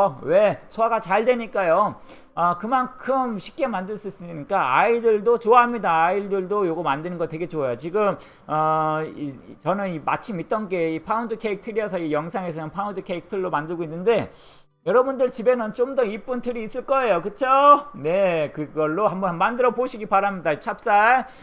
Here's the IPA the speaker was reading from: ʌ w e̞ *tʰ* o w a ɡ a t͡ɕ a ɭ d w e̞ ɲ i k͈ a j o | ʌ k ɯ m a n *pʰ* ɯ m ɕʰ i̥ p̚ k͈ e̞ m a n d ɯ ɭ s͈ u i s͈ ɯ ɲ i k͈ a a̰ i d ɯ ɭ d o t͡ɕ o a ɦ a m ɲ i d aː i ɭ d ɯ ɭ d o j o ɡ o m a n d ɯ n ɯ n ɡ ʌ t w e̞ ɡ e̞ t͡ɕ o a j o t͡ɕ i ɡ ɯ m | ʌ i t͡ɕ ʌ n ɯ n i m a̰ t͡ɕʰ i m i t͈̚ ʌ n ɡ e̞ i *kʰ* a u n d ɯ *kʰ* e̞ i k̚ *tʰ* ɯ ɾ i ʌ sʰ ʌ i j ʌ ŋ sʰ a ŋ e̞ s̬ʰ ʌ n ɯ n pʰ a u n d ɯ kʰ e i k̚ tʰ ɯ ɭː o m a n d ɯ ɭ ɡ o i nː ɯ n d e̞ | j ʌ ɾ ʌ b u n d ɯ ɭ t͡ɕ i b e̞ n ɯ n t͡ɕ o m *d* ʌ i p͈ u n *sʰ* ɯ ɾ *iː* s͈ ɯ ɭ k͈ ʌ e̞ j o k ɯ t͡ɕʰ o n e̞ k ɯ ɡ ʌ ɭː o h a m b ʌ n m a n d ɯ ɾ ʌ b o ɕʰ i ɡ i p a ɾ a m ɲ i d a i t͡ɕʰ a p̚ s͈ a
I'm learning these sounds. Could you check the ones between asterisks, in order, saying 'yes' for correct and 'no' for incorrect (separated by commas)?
no, no, no, yes, yes, yes, no, yes